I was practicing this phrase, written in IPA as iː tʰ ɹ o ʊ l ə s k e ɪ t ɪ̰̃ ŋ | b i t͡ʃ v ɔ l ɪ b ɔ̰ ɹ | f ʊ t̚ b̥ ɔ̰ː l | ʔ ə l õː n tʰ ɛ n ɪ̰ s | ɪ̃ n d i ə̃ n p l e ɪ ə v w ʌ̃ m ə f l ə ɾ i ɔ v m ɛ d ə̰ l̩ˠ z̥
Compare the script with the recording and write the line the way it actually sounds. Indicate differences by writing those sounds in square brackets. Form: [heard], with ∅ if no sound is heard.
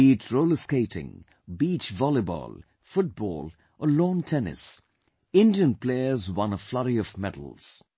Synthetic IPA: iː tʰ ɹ o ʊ l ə s k e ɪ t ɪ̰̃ ŋ | b i t͡ʃ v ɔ l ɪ b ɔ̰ [l] | f ʊ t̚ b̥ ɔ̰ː l | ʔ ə l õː n tʰ ɛ n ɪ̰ s | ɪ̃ n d i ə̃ n p l e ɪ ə [z] w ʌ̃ [n] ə f l [ʌ] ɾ i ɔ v m ɛ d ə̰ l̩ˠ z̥